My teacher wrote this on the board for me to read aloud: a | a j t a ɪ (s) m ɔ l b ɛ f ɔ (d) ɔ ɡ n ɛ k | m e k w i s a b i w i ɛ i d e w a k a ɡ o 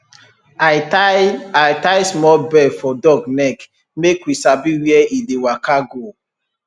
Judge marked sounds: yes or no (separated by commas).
yes, yes